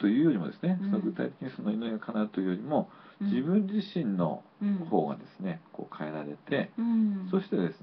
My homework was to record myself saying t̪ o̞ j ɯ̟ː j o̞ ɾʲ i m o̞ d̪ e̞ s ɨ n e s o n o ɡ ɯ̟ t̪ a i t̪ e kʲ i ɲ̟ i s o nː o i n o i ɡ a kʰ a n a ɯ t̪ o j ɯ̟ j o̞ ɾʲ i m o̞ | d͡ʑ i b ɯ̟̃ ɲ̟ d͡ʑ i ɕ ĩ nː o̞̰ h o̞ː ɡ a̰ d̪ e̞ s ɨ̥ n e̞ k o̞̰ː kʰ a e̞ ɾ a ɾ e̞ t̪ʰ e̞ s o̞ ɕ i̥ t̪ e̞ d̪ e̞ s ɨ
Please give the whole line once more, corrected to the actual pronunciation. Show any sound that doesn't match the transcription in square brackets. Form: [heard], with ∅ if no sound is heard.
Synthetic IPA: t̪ o̞ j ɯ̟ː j o̞ ɾʲ i m o̞ d̪ e̞ s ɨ n e s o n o ɡ ɯ̟ t̪ a i t̪ e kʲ i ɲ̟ i s o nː o i n o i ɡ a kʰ a n a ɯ t̪ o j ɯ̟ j o̞ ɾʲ i m o̞ | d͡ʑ i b ɯ̟̃ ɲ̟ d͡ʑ i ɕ ĩ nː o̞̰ h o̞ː ɡ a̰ d̪ e̞ s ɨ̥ n e̞ k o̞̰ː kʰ a e̞ ɾ a ɾ e̞ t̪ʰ e̞ s o̞ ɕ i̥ t̪ e̞ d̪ e̞ s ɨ